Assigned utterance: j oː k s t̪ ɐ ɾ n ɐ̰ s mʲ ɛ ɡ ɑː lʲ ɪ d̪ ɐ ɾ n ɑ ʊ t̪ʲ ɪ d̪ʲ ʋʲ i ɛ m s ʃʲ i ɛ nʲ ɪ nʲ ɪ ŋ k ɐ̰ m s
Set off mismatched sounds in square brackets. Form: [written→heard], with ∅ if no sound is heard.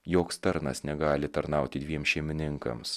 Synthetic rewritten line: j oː k s t̪ ɐ ɾ n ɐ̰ s [mʲ→nʲ] ɛ ɡ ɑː lʲ ɪ [d̪→t̪] ɐ ɾ n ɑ ʊ t̪ʲ ɪ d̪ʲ ʋʲ i ɛ m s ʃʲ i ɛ [nʲ→mʲ] ɪ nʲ ɪ ŋ k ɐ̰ m s